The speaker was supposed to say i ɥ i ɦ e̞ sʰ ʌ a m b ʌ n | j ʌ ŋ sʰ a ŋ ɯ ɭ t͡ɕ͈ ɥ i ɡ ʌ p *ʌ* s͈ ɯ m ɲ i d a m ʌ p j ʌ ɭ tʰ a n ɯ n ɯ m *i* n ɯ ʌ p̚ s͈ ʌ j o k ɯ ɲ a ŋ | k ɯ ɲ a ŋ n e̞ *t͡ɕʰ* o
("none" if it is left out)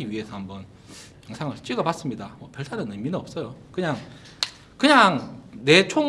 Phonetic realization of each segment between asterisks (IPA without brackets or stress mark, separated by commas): a, i, t͡ɕʰ